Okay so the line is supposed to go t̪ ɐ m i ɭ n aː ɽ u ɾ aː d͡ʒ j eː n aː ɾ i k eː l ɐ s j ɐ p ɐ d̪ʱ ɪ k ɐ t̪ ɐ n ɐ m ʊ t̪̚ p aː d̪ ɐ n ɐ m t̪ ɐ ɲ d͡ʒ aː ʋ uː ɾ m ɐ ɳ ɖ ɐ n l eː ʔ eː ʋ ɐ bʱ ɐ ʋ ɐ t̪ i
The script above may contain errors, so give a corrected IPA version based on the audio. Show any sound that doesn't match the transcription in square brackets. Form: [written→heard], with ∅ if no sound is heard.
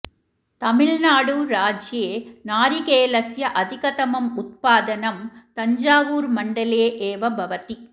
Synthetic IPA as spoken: t̪ ɐ m [i→ɪ] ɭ n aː ɽ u ɾ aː d͡ʒ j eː n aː ɾ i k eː l ɐ s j ɐ [p→ʔ] ɐ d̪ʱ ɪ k ɐ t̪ ɐ [n→m] ɐ m ʊ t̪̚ p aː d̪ ɐ n ɐ m t̪ ɐ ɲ d͡ʒ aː ʋ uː ɾ m ɐ ɳ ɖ ɐ [n→∅] l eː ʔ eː ʋ ɐ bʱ ɐ ʋ ɐ t̪ i